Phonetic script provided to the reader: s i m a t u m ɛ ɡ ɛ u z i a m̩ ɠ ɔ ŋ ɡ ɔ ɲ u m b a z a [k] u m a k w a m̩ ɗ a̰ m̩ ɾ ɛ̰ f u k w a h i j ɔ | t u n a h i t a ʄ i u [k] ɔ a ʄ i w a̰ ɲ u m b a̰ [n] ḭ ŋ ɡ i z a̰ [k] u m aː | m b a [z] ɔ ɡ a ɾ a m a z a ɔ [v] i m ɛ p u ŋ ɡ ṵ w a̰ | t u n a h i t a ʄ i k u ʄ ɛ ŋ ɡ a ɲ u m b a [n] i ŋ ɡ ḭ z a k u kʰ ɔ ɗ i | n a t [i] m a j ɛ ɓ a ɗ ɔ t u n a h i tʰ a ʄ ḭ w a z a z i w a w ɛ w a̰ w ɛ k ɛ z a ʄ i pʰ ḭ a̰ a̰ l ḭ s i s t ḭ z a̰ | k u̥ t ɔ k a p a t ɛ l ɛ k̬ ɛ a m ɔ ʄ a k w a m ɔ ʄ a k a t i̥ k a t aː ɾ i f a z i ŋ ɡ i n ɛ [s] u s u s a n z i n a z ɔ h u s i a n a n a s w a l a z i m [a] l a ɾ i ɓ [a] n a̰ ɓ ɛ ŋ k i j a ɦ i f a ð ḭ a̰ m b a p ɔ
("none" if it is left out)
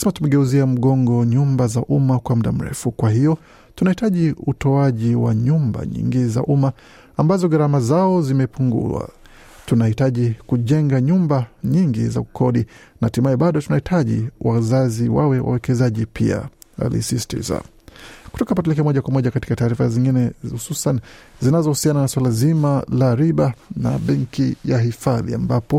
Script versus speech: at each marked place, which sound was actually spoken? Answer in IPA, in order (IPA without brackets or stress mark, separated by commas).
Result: ʔ, t, ɲ, ʔ, z, z, ɲ, i, h, a, a